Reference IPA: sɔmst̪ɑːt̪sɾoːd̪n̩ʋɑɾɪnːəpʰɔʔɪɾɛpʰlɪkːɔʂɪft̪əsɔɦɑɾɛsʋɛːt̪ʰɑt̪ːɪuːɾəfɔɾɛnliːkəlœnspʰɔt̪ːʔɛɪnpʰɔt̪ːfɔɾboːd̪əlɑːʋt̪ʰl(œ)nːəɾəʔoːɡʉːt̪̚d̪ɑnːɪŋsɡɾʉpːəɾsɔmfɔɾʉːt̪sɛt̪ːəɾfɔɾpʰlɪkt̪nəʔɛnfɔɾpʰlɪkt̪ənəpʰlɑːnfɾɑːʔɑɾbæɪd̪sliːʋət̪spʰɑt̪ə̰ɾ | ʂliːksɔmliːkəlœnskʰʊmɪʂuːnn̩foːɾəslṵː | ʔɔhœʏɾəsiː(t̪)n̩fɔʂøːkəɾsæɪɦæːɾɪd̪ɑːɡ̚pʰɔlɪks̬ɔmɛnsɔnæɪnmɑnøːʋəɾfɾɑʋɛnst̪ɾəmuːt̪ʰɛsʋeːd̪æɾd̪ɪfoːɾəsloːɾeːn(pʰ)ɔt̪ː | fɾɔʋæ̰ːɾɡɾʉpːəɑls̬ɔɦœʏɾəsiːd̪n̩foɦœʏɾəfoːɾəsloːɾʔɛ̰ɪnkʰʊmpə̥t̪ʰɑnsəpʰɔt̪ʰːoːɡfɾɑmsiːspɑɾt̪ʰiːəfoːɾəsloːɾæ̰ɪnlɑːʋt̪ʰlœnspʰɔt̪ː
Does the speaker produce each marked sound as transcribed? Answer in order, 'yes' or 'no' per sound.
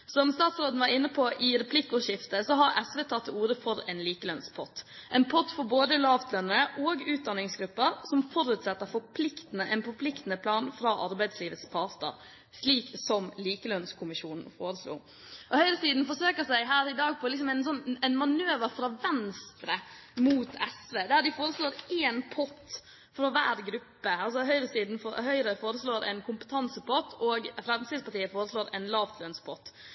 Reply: yes, no, yes

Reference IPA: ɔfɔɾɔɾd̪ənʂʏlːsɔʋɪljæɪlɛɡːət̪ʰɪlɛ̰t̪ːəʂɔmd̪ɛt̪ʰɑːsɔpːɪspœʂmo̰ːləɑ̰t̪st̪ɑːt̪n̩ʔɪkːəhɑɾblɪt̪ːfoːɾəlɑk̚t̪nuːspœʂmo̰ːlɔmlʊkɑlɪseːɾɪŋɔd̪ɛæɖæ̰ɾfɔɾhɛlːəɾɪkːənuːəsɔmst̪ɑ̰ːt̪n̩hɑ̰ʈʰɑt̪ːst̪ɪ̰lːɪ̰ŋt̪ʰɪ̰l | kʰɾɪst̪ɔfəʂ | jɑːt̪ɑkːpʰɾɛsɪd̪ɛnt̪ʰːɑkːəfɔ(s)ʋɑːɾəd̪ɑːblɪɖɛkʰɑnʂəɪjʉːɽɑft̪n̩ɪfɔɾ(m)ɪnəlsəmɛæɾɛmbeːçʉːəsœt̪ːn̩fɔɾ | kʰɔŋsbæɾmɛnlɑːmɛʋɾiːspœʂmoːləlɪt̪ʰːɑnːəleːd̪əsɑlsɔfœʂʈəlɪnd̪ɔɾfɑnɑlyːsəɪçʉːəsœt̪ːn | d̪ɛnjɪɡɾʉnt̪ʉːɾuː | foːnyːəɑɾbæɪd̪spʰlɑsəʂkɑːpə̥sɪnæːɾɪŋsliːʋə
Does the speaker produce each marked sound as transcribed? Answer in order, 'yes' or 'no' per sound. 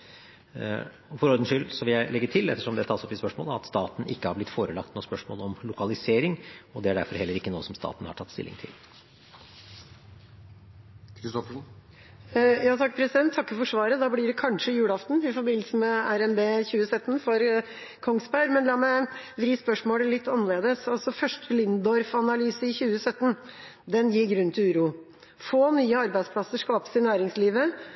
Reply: no, no

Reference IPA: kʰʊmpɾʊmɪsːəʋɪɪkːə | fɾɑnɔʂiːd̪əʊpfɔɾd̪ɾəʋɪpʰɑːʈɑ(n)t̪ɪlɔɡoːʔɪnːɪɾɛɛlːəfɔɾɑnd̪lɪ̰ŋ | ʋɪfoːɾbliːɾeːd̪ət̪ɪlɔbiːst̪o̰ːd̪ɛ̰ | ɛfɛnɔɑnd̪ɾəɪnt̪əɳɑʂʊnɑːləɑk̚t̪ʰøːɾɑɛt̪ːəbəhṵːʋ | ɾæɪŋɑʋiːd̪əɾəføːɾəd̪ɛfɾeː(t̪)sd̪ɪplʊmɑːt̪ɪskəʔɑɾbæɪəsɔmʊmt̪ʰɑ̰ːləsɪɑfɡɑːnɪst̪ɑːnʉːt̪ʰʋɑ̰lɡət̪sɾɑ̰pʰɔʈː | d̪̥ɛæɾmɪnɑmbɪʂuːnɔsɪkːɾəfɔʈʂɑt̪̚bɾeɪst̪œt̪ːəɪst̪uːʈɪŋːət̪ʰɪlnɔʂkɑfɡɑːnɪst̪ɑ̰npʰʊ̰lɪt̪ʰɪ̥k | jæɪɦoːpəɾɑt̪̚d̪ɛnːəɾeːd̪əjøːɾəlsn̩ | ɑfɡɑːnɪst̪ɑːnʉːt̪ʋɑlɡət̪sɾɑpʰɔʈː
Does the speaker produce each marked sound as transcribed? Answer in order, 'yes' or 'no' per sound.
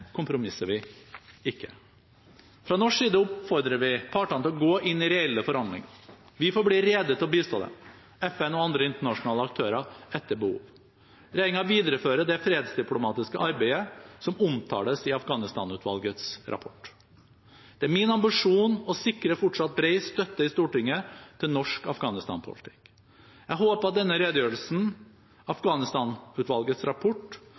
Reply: yes, no

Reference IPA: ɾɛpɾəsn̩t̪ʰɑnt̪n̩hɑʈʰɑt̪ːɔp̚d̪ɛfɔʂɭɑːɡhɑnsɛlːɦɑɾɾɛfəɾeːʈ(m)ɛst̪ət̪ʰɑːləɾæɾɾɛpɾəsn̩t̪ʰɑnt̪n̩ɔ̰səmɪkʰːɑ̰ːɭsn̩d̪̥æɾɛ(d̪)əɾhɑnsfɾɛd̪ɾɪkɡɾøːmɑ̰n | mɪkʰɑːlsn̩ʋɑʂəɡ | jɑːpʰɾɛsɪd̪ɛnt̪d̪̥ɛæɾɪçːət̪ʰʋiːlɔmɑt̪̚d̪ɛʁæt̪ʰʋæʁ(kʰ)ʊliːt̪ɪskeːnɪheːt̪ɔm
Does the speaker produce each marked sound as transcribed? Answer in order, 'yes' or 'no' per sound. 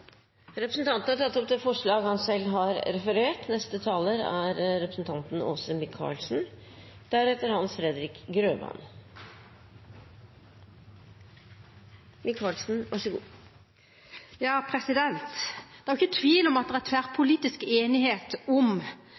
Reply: no, no, no

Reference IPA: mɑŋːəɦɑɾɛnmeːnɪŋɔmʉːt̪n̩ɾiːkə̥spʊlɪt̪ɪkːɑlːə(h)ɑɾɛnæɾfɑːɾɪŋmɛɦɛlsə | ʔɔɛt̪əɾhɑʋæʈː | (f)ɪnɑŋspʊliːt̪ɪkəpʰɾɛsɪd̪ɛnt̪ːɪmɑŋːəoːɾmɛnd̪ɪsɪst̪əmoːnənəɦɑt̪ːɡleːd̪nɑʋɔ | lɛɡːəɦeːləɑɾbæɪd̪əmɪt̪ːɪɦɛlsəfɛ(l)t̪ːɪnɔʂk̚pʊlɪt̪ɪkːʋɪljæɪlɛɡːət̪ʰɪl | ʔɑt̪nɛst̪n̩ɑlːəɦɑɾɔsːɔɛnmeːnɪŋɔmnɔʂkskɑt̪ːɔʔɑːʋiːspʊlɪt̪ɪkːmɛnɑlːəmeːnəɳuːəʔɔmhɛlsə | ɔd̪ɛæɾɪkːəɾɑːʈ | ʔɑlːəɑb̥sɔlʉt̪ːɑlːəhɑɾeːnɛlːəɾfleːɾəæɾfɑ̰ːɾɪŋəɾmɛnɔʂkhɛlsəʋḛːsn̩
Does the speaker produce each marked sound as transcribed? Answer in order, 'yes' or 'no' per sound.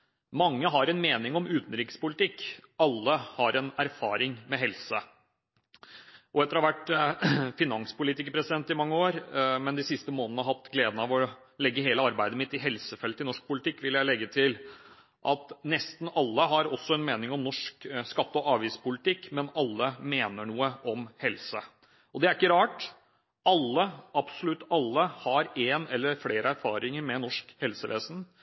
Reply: yes, yes, yes

